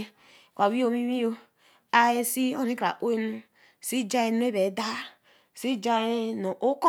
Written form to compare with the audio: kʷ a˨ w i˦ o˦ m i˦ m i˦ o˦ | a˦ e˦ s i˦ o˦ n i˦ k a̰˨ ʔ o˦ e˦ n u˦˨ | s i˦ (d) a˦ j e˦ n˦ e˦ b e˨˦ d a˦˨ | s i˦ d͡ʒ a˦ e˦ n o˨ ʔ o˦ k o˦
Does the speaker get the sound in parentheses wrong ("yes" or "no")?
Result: yes